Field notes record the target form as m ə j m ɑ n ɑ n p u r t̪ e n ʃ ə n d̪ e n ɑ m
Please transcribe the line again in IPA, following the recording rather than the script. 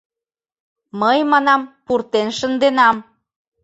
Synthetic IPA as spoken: m ə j m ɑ n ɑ m p u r t̪ e n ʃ ə n d̪ e n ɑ m